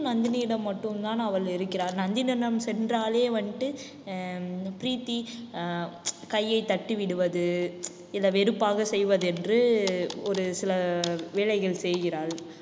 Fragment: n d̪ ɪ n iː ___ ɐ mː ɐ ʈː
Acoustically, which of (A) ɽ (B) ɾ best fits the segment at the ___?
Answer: A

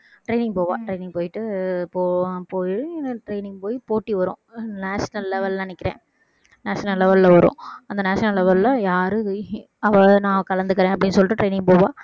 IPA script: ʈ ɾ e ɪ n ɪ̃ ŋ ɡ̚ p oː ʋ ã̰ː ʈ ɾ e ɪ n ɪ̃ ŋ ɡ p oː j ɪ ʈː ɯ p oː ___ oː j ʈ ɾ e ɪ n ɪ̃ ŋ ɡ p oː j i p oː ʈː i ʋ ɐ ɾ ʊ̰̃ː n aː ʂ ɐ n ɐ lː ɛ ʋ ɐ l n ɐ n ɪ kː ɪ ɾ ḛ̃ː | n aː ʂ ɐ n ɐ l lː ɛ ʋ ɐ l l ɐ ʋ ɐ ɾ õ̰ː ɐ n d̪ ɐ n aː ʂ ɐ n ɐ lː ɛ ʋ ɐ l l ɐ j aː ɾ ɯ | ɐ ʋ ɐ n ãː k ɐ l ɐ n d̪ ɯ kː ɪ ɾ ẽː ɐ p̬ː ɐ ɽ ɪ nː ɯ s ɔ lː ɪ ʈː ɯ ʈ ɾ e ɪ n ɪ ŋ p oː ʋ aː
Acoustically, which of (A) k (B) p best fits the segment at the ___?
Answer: B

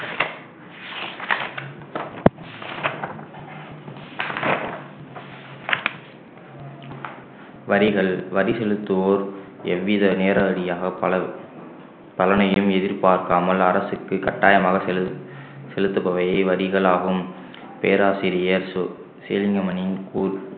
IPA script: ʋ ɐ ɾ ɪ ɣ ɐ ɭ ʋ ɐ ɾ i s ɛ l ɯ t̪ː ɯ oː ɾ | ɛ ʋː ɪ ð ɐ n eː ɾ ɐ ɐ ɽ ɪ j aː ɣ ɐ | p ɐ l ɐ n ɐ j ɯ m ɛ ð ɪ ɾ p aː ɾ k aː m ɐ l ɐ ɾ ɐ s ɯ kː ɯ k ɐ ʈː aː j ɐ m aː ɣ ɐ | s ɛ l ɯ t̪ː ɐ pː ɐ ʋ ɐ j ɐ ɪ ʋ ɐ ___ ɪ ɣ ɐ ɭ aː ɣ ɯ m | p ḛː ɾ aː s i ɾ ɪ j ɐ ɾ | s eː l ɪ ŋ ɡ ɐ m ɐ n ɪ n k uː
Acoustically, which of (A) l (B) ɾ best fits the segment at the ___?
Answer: B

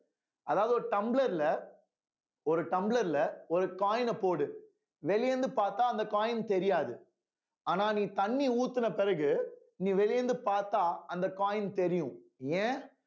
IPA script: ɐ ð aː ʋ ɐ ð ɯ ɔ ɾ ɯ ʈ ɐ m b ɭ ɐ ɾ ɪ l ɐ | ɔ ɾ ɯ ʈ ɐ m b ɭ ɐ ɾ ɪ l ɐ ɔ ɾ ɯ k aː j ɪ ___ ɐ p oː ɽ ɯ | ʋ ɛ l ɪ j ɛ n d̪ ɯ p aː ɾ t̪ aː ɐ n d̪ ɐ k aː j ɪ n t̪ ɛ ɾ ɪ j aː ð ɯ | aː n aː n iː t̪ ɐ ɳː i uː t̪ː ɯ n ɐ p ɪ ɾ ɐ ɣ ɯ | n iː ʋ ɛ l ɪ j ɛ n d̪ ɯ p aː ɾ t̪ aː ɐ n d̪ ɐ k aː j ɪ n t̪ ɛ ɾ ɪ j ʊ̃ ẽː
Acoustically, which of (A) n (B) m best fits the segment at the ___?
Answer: A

